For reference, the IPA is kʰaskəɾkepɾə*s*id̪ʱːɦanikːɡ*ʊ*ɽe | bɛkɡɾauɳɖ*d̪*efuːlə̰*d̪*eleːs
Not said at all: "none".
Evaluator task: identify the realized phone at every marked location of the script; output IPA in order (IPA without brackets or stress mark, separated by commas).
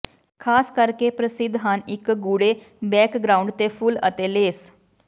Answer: s, u, t̪, t̪